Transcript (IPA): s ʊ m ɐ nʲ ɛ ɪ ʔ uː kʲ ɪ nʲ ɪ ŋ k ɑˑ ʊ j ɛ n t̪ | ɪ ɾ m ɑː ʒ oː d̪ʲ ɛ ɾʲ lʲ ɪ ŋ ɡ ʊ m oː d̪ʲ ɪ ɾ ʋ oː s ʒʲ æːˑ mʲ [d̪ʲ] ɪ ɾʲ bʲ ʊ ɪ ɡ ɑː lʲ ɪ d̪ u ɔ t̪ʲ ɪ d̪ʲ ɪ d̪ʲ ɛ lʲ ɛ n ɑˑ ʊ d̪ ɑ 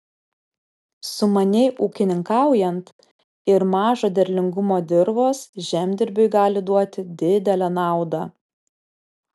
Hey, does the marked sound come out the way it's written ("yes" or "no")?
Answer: yes